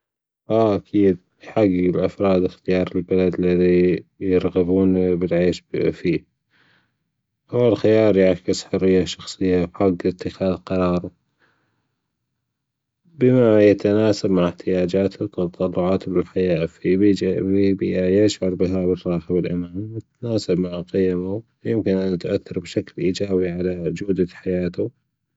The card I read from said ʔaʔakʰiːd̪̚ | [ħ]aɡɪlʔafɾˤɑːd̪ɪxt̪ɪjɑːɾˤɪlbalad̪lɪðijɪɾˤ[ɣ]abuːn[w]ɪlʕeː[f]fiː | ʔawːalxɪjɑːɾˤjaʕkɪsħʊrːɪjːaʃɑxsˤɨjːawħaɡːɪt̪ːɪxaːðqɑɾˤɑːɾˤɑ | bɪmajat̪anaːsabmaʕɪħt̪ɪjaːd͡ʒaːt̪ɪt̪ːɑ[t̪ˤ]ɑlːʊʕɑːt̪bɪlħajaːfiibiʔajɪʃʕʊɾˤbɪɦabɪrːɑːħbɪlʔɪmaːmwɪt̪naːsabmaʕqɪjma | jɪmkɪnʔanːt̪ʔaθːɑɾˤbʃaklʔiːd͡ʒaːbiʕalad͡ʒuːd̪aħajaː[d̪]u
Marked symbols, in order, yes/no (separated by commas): yes, yes, no, no, yes, no